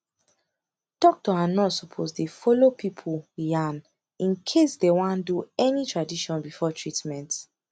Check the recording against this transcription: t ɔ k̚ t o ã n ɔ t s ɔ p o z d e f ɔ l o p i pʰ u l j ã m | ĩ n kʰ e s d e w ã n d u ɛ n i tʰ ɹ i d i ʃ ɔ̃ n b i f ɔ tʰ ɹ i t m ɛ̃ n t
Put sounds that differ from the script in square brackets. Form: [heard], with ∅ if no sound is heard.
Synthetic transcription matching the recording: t ɔ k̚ t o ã n ɔ t s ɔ [pʰ] o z d e f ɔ l o p i pʰ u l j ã [n] | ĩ n kʰ e s d e w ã n d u ɛ n i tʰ ɹ [a] d i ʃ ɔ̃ n b i f ɔ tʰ ɹ i t m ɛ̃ n t